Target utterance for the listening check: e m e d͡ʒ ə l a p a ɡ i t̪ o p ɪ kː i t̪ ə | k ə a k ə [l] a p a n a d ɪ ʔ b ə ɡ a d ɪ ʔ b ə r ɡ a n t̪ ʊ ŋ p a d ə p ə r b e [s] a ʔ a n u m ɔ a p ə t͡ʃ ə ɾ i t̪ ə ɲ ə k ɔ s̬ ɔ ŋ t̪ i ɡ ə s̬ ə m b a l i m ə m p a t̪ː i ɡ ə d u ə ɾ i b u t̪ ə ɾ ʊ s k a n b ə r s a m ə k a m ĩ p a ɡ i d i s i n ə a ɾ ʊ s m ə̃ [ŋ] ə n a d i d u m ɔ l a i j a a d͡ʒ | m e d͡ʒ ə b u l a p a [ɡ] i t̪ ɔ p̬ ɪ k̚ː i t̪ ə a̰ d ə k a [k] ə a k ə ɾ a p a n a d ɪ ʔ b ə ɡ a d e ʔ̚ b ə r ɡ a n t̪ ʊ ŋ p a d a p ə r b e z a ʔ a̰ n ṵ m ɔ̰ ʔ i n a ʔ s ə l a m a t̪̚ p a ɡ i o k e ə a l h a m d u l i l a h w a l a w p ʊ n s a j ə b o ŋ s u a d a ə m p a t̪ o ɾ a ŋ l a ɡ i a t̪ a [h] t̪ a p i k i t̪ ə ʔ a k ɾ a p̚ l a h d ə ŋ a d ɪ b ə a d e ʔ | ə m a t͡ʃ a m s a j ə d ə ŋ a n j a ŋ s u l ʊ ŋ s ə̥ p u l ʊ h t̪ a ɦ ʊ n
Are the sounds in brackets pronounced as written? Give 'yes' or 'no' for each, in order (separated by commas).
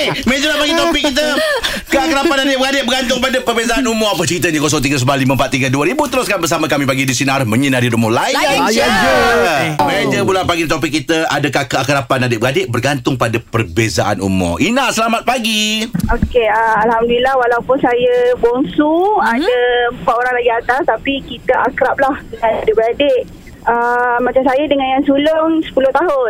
no, no, no, yes, yes, no